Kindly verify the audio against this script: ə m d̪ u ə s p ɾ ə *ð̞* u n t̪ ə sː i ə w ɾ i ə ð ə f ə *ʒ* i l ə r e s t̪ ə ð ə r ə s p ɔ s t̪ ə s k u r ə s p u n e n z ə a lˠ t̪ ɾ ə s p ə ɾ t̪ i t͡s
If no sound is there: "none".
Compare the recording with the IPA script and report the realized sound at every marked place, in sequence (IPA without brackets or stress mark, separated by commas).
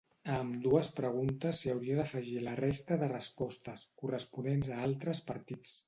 ɣ̞, ʒ